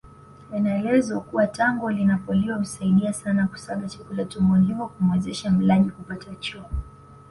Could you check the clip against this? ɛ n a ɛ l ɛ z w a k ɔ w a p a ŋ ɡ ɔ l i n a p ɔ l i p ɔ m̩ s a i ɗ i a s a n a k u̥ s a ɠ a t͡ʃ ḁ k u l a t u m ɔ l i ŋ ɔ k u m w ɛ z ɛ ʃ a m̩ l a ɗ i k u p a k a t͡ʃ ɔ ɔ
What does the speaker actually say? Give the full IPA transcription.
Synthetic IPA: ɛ n a ɛ l ɛ z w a k u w a t a ŋ ɡ ɔ l i n a p ɔ l i ɔ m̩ s a i ɗ i a s a n a k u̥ s a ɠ a t͡ʃ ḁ k u l a t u m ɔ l i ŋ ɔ k u m w ɛ z ɛ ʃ a m̩ l a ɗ i k u p a t a t͡ʃ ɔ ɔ